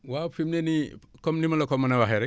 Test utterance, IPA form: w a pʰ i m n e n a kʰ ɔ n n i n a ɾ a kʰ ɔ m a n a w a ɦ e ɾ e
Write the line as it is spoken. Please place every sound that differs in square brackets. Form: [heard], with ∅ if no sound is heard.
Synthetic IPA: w a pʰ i m n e n [i] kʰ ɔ [m] n i [m] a [l] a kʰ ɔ m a n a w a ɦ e ɾ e